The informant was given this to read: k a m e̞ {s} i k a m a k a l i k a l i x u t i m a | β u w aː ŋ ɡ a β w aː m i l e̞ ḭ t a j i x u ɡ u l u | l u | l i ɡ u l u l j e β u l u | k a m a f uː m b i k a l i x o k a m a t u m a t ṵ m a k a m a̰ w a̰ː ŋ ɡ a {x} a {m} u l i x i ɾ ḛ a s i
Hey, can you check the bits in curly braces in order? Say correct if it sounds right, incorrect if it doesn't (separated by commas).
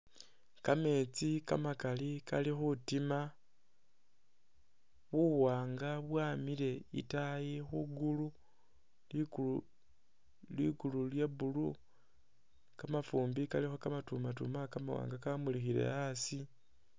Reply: incorrect, incorrect, correct